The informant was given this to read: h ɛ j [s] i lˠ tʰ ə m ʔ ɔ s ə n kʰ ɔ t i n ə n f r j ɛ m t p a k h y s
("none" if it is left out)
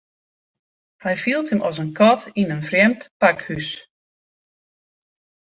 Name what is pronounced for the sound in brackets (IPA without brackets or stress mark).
f